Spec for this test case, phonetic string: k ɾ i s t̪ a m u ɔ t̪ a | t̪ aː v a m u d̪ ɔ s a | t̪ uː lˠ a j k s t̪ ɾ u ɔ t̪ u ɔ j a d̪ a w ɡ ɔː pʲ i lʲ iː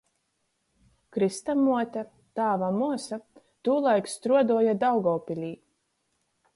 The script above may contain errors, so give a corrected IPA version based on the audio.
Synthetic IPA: k ɾ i s t̪ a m u ɔ t̪ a | t̪ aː v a m u ɔ s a | t̪ uː lˠ a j k s t̪ ɾ u ɔ d̪ u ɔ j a d̪ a w ɡ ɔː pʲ i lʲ iː

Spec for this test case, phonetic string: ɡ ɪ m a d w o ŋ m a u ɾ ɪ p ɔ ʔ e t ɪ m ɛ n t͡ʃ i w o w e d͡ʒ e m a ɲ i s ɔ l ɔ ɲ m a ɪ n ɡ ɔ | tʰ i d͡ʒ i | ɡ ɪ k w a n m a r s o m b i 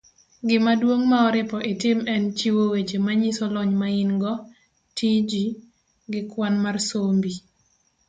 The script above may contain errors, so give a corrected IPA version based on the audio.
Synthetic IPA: ɡ ɪ m a d w o ŋ m a ɔ ɾ ɪ p ɔ ʔ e t ɪ m ɛ n t͡ʃ i w o w e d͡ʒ e m a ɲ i s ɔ l ɔ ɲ m a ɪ n ɡ ɔ | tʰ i d͡ʒ i | ɡ ɪ k w a n m a r s o m b i

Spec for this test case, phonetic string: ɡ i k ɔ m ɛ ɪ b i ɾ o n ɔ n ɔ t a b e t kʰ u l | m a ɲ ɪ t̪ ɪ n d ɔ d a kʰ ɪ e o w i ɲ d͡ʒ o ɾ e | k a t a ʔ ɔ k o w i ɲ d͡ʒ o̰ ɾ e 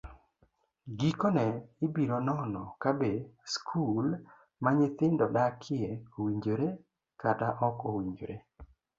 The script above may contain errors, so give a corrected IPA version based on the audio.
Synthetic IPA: ɡ i k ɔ n ɛ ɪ b i ɾ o n ɔ n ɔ k a b e s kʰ u l | m a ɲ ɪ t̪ ɪ n d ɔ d a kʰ ɪ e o w i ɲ d͡ʒ o ɾ e | k a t a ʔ ɔ k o w i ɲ d͡ʒ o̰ ɾ e

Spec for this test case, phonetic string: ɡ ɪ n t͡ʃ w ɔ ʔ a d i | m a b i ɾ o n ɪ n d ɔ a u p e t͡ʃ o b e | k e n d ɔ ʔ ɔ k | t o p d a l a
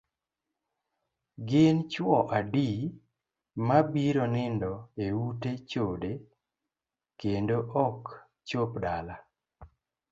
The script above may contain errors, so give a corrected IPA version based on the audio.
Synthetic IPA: ɡ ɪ n t͡ʃ w ɔ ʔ a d i | m a b i ɾ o n ɪ n d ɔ e u t e t͡ʃ o d e | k e n d o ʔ ɔ k | t͡ʃ o p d a l a

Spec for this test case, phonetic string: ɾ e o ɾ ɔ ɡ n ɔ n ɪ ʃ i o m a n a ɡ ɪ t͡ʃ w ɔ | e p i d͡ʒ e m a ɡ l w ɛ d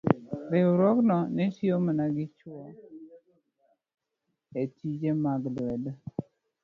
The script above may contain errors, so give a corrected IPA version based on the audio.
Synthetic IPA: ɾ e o ɾ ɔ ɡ n ɔ n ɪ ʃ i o m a n a ɡ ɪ t͡ʃ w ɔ | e t i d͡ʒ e m a ɡ l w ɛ d

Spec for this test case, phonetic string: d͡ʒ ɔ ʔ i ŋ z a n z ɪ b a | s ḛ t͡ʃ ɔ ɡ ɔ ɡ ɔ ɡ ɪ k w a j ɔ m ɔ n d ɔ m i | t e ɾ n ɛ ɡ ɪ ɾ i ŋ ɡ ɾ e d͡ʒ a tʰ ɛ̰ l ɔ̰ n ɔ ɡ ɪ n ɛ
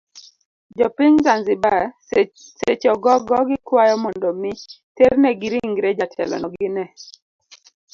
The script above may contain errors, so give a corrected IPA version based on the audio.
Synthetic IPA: d͡ʒ ɔ p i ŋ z a n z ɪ b a | s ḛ t͡ʃ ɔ ɡ ɔ ɡ ɔ ɡ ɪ k w a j ɔ m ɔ n d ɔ m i | t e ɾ n ɛ ɡ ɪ ɾ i ŋ ɡ ɾ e d͡ʒ a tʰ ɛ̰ l ɔ̰ n ɔ ɡ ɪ n ɛ

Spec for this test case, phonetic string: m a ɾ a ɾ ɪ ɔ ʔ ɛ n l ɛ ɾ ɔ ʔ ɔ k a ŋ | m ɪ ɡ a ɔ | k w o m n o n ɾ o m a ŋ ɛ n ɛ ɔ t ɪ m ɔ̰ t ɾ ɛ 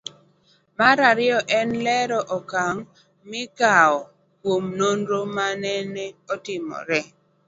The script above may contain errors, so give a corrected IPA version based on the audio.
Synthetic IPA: m a ɾ a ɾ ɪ ɔ ʔ ɛ n l ɛ ɾ ɔ ʔ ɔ k a ŋ | m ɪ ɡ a ɔ | k w o m n o n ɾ o m a n ɛ n ɛ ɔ t ɪ m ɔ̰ ɾ ɛ

